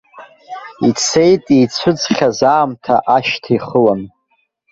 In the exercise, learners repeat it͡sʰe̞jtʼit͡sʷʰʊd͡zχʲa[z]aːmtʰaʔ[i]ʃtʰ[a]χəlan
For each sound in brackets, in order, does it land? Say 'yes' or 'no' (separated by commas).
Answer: yes, no, no